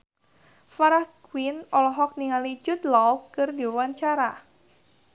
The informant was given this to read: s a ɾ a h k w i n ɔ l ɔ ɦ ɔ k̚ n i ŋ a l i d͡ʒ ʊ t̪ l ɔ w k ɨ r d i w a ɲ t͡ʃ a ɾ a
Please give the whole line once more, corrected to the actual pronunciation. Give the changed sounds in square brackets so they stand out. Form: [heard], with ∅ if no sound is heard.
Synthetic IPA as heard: [f] a ɾ a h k w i n ɔ l ɔ ɦ ɔ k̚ n i ŋ a l i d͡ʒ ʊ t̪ l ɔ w k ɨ r d i w a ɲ t͡ʃ a ɾ a